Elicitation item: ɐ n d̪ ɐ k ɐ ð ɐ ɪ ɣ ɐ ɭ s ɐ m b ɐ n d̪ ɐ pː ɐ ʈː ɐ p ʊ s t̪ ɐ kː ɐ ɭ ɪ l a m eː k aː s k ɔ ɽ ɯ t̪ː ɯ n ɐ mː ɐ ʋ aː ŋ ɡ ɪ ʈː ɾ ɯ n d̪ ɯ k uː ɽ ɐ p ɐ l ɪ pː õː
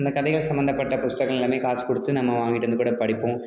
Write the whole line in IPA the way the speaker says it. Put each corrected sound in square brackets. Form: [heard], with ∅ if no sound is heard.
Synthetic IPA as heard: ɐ n d̪ ɐ k ɐ ð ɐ ɪ ɣ ɐ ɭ s ɐ m b ɐ n d̪ ɐ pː ɐ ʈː ɐ p ʊ s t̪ ɐ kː ɐ ɭ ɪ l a m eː k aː s k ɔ ɽ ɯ t̪ː ɯ n ɐ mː ɐ ʋ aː ŋ ɡ ɪ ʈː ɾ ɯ n d̪ ɯ k uː ɽ ɐ p ɐ [ɽ] ɪ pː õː